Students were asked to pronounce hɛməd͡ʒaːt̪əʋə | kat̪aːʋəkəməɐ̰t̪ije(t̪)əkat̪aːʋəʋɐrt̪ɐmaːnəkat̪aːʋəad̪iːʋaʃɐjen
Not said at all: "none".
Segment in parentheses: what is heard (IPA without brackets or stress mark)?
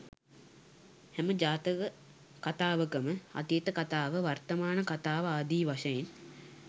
t̪